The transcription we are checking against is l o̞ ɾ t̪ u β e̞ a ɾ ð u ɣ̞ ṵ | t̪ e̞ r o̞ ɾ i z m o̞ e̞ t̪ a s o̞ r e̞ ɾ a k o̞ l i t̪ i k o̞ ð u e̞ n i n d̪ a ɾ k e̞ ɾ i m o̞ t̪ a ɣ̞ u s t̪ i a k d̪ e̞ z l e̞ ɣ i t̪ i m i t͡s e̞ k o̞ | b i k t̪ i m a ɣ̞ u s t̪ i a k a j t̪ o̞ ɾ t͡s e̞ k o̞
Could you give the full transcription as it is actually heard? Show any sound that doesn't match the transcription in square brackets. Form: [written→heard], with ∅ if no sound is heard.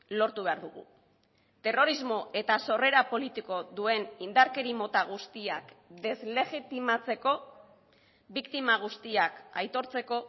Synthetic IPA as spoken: l o̞ ɾ t̪ u β e̞ a ɾ ð u ɣ̞ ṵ | t̪ e̞ r o̞ ɾ i z m o̞ e̞ t̪ a s o̞ r e̞ ɾ a [k→p] o̞ l i t̪ i k o̞ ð u e̞ n i n d̪ a ɾ k e̞ ɾ i m o̞ t̪ a ɣ̞ u s t̪ i a k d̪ e̞ z l e̞ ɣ i t̪ i m [i→a] t͡s e̞ k o̞ | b i k t̪ i m a ɣ̞ u s t̪ i a k a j t̪ o̞ ɾ t͡s e̞ k o̞